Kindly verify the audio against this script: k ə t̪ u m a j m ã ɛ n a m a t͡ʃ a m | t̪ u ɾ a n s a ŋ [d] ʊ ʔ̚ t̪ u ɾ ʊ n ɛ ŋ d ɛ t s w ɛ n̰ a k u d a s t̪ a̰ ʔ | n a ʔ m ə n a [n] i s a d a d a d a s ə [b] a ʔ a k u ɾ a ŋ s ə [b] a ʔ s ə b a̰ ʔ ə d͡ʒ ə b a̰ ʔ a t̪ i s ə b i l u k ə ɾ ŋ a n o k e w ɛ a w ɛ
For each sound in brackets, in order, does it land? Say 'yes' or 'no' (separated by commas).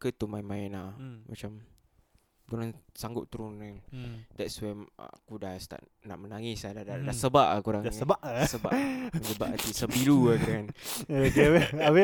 no, no, yes, yes